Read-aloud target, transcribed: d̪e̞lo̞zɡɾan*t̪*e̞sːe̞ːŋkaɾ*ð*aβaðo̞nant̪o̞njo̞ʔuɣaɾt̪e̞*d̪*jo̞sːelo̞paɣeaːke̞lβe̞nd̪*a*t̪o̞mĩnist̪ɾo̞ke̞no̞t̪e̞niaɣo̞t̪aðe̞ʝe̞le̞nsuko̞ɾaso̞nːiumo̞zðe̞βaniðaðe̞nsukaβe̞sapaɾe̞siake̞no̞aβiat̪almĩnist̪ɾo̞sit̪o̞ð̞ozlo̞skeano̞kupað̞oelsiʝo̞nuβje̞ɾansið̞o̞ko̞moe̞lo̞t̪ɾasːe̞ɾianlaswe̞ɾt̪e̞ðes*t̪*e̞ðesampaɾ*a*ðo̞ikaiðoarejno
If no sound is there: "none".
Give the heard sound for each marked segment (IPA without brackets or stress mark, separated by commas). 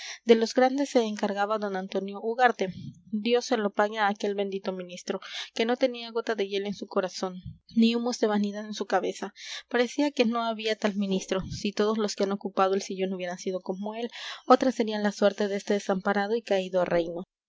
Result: d̪, ɣ, d̪, i, t̪, a